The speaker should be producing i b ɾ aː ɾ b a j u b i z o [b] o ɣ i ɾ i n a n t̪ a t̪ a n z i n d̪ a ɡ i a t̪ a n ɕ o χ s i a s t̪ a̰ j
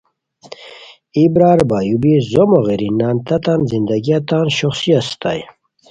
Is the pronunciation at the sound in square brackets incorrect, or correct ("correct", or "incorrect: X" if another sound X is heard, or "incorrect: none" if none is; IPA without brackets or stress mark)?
incorrect: m